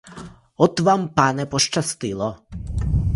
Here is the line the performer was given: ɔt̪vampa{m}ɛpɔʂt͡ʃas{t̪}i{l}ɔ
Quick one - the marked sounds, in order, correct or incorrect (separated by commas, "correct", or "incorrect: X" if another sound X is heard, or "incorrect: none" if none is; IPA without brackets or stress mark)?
incorrect: n, correct, correct